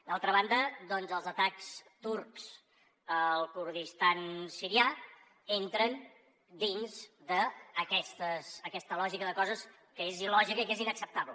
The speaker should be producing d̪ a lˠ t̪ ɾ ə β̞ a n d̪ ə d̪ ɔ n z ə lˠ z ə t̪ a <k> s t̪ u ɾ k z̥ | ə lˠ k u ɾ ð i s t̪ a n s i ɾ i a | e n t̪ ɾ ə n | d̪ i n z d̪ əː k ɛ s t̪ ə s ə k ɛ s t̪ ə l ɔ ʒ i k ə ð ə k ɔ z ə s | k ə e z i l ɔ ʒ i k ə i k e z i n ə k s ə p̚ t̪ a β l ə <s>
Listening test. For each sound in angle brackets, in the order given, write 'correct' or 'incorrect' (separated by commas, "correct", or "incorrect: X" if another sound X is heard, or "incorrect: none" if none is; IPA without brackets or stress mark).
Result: correct, incorrect: none